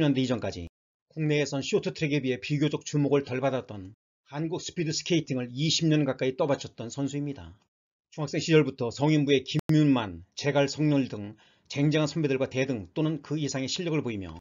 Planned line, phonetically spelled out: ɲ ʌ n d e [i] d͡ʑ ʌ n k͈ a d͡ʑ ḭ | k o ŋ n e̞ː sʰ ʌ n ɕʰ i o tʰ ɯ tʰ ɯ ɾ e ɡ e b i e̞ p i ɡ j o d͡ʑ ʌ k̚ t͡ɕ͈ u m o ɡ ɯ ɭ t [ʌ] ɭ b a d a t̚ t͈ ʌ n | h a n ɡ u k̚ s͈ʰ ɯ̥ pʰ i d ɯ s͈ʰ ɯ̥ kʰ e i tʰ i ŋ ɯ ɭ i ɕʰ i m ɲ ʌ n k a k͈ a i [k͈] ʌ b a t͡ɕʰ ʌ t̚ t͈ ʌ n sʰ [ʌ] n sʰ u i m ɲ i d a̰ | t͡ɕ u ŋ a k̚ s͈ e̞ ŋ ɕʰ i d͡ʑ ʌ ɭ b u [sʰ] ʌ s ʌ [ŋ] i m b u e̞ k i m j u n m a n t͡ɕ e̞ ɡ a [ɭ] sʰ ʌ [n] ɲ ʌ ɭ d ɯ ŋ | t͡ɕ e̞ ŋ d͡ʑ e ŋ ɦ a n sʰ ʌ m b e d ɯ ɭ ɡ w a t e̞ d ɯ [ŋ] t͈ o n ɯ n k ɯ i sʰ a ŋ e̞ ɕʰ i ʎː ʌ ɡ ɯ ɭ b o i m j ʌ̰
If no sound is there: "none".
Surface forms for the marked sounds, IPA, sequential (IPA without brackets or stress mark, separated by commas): i, ʌ, t͈, ʌ, tʰ, ŋ, ɭ, ŋ, ŋ